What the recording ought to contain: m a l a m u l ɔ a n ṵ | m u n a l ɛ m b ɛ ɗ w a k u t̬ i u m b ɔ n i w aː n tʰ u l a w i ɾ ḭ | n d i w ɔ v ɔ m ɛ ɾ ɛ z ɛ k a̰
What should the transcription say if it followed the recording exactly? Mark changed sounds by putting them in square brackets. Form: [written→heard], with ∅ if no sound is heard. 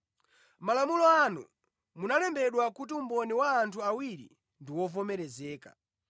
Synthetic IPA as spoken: m a l a m u l ɔ a n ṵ | m u n a l ɛ m b ɛ ɗ w a k u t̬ i u m b ɔ n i w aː n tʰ u [l→∅] a w i ɾ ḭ | n d i w ɔ v ɔ m ɛ ɾ ɛ z [ɛ→ɛː] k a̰